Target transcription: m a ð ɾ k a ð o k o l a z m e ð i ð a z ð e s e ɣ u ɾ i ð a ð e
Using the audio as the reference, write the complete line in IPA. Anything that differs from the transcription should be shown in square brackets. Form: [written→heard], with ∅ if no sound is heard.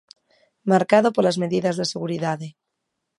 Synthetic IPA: m a [ð→∅] ɾ k a ð o [k→p] o l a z m e ð i ð a z ð e s e ɣ u ɾ i ð a ð e